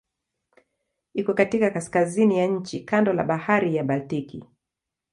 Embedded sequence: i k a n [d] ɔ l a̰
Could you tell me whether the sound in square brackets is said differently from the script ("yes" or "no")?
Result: no